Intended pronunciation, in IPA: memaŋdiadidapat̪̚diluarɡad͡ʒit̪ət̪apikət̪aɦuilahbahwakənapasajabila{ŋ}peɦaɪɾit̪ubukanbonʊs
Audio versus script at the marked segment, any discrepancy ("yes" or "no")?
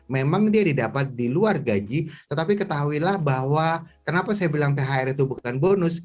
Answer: no